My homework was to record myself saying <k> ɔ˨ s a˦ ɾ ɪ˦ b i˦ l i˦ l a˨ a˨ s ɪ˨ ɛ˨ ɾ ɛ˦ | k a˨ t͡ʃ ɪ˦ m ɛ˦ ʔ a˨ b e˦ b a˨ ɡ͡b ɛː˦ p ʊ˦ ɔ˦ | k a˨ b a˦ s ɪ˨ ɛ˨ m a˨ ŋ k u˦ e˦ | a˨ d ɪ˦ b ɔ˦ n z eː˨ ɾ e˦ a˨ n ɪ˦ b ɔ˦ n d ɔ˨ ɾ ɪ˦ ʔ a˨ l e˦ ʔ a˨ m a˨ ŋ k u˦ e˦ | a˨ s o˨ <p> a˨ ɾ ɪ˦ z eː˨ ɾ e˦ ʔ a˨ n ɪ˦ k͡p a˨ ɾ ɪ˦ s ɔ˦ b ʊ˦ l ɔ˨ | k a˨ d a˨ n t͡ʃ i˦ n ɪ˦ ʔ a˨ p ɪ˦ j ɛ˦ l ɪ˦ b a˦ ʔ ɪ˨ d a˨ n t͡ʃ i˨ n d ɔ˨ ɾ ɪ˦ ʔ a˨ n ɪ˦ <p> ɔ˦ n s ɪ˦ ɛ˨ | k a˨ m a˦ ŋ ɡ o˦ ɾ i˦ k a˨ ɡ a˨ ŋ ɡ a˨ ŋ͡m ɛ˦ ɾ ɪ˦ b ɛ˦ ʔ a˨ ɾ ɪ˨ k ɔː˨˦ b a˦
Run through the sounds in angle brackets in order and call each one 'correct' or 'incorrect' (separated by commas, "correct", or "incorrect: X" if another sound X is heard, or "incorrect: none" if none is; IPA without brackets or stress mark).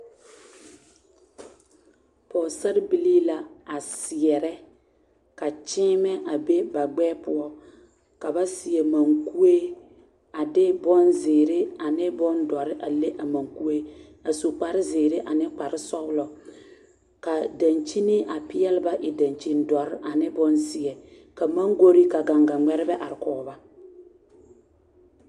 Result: incorrect: p, incorrect: k͡p, incorrect: b